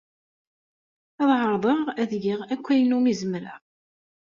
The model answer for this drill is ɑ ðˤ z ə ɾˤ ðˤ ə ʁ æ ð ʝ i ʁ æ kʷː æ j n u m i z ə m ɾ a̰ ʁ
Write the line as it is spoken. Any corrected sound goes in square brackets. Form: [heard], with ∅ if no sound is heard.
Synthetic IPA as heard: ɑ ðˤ [ʕ] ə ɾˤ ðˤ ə ʁ æ ð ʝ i ʁ æ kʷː æ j n u m i z ə m ɾ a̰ ʁ